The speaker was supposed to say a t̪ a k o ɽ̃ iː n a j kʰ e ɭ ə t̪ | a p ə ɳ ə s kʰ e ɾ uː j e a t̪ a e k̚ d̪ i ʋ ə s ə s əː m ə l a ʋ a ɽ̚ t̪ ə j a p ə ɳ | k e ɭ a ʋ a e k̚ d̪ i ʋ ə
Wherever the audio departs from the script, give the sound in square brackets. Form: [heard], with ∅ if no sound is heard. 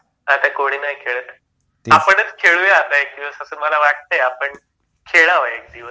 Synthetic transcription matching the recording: a t̪ a k o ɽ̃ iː n a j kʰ e ɭ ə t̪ | a p ə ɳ ə [t͡s] kʰ e [ɭ] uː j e a t̪ a e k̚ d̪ i ʋ ə s ə s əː m ə l a ʋ a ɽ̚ t̪ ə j a p ə ɳ | [kʰ] e ɭ a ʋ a e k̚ d̪ i ʋ ə